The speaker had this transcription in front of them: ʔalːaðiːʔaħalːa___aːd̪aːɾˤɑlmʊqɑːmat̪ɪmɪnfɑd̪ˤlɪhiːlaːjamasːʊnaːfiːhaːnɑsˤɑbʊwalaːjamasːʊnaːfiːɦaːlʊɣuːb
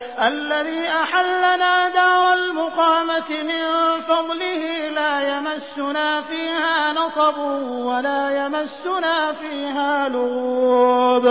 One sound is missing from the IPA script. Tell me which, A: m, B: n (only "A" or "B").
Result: B